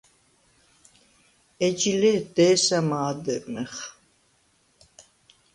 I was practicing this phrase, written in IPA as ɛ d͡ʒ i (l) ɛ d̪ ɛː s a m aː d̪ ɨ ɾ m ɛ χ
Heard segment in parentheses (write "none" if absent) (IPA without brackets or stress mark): l